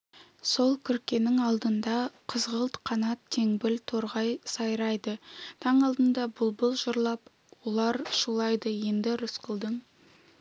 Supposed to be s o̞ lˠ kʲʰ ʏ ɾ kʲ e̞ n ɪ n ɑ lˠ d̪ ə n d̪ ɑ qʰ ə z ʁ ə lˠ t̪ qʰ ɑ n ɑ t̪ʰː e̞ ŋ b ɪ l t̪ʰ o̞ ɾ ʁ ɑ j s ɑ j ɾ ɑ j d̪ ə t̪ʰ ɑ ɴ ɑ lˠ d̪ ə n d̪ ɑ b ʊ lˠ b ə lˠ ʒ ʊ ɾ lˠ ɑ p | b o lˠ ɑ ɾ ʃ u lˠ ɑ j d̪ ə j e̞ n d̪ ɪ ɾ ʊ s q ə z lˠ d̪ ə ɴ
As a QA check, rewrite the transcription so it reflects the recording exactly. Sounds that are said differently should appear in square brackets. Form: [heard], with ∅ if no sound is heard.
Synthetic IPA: s o̞ lˠ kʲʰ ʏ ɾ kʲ e̞ n ɪ [ŋ] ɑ lˠ d̪ ə n d̪ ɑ qʰ ə z ʁ ə lˠ t̪ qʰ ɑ n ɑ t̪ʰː e̞ ŋ b ɪ l t̪ʰ o̞ ɾ ʁ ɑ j s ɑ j ɾ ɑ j d̪ ə t̪ʰ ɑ ɴ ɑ lˠ d̪ ə n d̪ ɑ b ʊ lˠ b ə lˠ ʒ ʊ ɾ lˠ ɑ p | [w] o lˠ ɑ ɾ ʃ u lˠ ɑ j d̪ ə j e̞ n d̪ ɪ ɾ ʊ s q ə [∅] lˠ d̪ ə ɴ